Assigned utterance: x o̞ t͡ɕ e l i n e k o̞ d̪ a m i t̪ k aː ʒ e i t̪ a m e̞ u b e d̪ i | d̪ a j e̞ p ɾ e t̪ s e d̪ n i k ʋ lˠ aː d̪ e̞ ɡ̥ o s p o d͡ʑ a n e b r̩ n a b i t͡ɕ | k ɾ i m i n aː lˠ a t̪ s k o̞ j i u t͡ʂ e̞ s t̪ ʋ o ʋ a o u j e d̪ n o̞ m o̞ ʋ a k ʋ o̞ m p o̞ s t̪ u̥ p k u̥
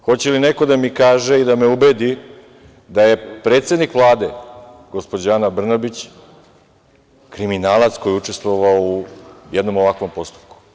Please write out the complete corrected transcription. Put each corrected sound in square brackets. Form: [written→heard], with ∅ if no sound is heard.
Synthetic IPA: x o̞ t͡ɕ e l i n e k o̞ d̪ a m i [t̪→∅] k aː ʒ e i [t̪→d̪] a m e̞ u b e d̪ i | d̪ a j e̞ p ɾ e t̪ s e d̪ n i k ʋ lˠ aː d̪ e̞ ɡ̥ o s p o d͡ʑ a n [e→a] b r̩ n a b i t͡ɕ | k ɾ i m i n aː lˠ a t̪ s k o̞ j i u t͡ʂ e̞ s t̪ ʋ o ʋ a o u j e d̪ n o̞ m o̞ ʋ a k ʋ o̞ m p o̞ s t̪ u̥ p k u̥